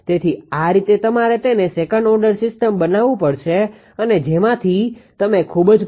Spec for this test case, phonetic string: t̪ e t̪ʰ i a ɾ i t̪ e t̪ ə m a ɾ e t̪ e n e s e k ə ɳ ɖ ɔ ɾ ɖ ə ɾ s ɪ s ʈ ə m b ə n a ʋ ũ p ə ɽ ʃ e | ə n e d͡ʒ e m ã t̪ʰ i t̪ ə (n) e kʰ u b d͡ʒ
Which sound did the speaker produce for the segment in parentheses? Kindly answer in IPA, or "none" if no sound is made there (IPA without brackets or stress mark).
m